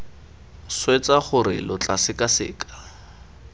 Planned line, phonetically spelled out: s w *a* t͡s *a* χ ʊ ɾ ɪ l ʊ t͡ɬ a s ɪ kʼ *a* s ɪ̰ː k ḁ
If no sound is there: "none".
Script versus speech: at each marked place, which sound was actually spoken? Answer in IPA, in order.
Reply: e, a, a

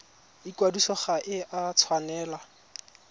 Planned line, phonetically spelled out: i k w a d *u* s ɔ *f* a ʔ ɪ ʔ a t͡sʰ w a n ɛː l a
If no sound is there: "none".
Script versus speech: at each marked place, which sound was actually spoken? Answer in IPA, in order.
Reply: u, χ

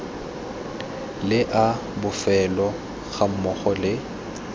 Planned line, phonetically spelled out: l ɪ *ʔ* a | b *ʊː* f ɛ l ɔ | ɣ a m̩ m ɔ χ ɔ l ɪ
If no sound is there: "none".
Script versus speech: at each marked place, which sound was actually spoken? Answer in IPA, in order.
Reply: ʔ, ʊ

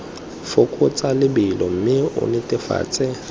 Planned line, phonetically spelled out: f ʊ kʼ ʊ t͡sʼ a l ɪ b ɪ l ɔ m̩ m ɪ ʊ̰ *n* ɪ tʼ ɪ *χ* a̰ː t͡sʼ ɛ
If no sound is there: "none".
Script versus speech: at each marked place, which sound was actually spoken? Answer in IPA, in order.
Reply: n, f

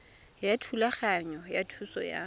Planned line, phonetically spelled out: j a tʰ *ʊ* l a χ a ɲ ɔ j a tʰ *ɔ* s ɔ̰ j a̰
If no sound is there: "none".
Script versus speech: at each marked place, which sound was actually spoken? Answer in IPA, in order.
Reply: u, u

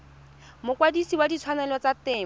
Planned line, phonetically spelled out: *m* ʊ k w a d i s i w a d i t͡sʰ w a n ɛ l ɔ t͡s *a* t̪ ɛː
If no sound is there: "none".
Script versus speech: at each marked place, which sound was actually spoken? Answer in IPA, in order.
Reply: m, a

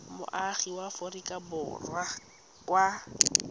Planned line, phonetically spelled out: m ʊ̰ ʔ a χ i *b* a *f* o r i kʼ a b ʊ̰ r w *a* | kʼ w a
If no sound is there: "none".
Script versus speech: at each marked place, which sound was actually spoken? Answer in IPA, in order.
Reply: w, f, a

